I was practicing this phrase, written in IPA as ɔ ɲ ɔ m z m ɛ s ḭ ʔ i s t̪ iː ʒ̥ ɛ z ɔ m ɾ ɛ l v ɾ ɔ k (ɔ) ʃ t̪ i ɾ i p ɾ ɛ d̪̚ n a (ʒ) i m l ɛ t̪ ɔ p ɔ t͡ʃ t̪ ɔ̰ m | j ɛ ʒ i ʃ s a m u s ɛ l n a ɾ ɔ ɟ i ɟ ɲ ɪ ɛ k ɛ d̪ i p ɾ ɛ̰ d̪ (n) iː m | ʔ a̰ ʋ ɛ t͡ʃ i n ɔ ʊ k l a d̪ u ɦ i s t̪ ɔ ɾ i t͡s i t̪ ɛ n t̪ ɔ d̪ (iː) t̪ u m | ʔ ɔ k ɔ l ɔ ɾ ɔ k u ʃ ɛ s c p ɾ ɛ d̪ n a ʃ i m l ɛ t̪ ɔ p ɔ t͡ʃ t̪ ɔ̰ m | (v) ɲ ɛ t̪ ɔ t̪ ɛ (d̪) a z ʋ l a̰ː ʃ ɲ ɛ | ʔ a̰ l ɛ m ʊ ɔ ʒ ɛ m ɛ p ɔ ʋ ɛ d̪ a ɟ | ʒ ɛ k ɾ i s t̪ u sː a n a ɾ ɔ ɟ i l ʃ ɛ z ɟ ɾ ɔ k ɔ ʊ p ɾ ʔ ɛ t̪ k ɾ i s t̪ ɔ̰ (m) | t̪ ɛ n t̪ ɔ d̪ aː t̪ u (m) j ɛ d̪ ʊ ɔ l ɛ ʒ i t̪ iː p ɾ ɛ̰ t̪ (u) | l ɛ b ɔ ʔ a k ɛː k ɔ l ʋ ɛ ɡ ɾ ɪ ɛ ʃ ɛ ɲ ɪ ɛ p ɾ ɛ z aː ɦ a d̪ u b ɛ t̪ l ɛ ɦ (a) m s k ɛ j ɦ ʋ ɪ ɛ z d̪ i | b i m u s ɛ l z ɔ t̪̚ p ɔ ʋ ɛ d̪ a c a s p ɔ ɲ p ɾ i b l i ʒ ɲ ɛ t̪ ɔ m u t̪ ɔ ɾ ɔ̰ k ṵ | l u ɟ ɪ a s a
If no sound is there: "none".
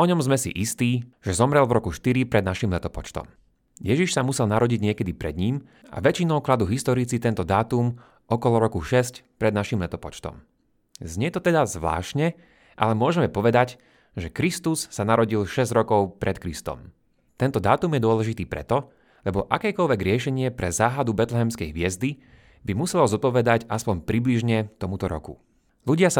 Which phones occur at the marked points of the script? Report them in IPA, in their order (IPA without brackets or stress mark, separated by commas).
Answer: u, ʃ, ɲ, aː, z, d̪, m, m, ɔ, ɛ